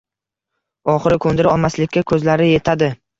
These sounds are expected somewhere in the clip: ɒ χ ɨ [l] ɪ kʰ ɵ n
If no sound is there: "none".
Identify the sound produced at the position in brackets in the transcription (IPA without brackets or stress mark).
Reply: ɾ